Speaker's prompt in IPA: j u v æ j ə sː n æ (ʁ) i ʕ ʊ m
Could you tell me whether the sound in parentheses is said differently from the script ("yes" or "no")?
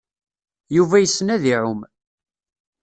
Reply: yes